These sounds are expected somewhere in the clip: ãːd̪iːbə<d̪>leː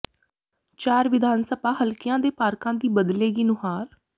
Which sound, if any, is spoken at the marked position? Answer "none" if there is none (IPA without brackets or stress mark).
d̪